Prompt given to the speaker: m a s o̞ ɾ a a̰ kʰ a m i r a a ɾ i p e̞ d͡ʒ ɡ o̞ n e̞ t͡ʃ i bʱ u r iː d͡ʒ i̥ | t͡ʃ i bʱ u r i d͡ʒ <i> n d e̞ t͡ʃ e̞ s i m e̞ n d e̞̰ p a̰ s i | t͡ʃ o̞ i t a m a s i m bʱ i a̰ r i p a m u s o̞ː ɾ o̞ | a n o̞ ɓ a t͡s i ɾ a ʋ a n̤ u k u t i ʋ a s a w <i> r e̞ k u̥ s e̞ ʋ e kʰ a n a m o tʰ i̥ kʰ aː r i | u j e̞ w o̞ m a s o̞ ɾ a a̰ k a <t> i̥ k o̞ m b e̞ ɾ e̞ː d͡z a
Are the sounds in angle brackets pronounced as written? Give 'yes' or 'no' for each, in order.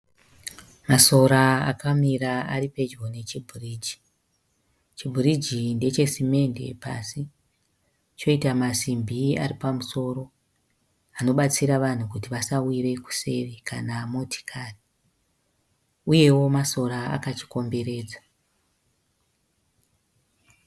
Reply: yes, yes, no

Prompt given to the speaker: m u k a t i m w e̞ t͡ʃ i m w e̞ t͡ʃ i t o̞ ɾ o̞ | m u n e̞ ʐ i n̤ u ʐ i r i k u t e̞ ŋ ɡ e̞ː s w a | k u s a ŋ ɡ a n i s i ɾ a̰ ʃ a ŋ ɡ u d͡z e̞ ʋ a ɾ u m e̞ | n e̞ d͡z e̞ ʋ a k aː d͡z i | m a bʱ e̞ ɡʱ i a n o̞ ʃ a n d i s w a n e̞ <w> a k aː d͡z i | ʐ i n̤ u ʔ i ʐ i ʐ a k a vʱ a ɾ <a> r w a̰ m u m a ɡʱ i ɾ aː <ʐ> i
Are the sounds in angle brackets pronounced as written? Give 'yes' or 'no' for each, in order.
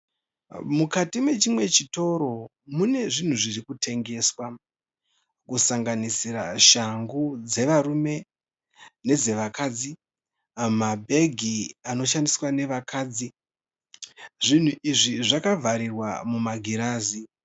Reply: no, no, no

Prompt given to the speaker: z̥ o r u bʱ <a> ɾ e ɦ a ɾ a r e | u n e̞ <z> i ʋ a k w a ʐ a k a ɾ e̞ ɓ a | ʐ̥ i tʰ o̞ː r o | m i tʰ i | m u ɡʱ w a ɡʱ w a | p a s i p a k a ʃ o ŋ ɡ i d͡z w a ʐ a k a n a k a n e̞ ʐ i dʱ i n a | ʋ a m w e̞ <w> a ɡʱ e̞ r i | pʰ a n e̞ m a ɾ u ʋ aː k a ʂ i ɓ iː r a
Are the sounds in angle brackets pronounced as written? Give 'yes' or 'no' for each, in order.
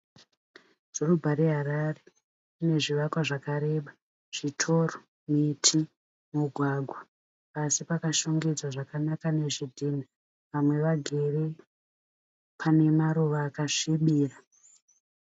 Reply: yes, no, no

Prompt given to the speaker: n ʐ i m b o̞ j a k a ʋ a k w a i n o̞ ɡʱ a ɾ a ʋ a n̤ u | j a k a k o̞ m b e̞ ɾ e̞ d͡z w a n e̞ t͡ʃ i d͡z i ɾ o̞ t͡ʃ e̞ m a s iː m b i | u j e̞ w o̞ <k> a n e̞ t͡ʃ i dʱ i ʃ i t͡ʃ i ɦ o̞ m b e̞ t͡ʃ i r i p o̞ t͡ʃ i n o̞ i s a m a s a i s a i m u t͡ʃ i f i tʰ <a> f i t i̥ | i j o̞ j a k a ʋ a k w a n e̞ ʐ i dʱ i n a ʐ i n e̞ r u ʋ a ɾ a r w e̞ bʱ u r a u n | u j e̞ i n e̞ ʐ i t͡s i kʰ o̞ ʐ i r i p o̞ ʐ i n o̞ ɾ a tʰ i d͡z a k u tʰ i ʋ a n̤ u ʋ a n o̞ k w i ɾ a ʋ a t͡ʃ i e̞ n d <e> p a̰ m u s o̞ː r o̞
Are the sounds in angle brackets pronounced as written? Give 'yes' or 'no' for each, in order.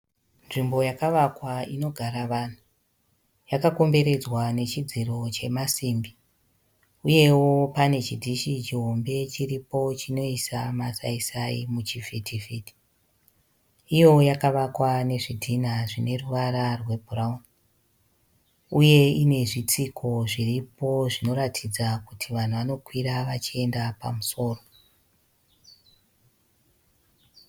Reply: no, no, no

